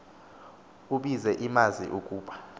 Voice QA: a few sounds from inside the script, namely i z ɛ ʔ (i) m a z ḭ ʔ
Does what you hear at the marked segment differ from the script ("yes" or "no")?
no